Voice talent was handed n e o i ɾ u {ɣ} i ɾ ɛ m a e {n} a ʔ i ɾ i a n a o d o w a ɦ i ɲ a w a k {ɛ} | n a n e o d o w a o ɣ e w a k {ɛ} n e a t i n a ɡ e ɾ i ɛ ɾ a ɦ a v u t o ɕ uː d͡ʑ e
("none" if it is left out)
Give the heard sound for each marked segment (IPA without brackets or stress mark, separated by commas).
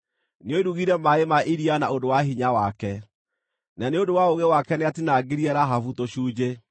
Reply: ɣ, m, ɛ, ɛ